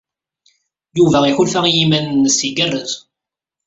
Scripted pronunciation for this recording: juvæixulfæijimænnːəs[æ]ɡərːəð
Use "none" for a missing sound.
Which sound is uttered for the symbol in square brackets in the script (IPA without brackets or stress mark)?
i